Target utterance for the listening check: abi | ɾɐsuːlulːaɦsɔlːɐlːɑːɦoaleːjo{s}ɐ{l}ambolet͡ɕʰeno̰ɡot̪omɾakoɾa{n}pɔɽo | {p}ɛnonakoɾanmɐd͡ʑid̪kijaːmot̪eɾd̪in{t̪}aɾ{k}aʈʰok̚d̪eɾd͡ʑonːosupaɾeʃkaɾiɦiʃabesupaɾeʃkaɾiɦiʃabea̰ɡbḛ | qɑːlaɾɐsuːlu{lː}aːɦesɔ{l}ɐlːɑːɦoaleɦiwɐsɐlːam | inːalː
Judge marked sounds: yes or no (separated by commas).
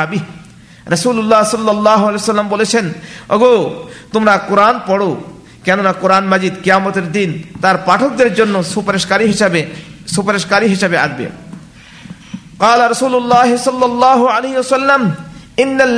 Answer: yes, no, yes, no, yes, no, yes, no